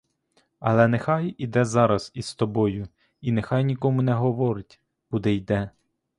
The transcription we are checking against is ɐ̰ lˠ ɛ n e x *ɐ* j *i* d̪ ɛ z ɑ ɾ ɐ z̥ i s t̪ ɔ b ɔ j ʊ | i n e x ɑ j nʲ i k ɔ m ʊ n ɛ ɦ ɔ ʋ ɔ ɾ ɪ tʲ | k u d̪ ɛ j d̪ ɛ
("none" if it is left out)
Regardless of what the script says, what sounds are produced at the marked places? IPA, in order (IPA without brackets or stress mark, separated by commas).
ɑ, i